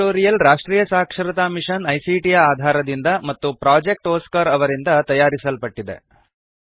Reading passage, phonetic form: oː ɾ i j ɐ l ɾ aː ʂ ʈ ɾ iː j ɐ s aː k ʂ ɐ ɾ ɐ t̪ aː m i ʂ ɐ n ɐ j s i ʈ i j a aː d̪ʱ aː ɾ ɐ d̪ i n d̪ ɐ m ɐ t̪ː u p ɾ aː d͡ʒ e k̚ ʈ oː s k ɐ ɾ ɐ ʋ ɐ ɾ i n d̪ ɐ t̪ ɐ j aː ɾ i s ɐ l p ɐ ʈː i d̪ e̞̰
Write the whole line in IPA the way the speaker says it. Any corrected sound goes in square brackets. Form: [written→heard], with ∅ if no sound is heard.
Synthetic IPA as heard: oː ɾ i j ɐ l ɾ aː ʂ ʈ ɾ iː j ɐ s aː k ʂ ɐ ɾ ɐ t̪ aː m i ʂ ɐ n ɐ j s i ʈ i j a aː d̪ʱ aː ɾ ɐ d̪ i n d̪ ɐ m ɐ t̪ː u p ɾ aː d͡ʒ e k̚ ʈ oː s k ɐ ɾ ɐ ʋ ɐ ɾ i n d̪ ɐ t̪ ɐ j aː ɾ i s ɐ l p ɐ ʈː i d̪ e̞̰